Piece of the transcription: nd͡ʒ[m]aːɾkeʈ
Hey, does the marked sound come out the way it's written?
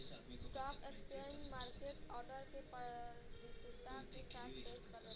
yes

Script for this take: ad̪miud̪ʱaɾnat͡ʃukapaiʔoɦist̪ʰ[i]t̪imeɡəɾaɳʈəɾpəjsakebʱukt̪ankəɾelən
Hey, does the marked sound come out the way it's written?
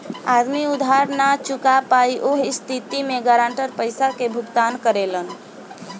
yes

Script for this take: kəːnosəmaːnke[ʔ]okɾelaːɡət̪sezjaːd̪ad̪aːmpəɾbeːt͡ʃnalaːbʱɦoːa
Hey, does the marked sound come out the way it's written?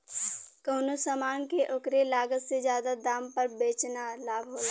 yes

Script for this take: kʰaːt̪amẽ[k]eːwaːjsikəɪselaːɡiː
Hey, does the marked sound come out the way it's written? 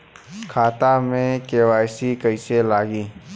yes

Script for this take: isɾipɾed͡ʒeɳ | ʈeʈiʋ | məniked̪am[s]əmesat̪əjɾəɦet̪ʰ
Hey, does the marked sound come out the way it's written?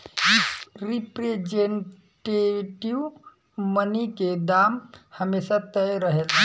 no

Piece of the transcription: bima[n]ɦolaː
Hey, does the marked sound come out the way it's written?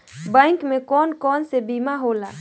no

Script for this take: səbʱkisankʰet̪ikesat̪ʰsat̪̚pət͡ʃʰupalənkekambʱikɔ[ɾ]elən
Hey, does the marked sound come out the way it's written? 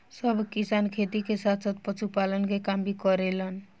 yes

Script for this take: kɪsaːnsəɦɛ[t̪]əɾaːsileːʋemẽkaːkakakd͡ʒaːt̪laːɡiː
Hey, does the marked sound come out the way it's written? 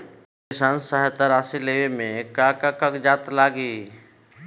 yes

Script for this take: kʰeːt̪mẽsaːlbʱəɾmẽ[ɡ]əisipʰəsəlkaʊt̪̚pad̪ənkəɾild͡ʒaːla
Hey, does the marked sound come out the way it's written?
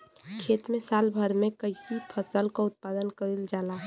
no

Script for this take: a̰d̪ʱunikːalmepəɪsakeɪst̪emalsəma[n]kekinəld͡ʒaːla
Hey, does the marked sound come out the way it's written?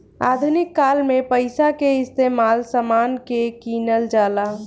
yes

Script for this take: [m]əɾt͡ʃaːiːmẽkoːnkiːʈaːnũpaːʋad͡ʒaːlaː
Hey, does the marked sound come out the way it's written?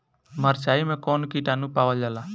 yes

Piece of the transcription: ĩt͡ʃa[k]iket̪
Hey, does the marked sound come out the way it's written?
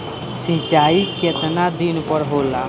no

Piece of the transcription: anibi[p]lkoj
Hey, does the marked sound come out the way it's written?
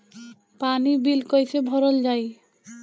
no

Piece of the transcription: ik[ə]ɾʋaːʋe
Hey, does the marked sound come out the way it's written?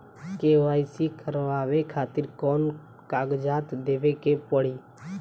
yes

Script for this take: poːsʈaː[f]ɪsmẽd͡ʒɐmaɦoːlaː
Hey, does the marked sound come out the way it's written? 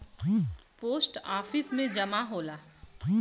yes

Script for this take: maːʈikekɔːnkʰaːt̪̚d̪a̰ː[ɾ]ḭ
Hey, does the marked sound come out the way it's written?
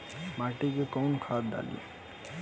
no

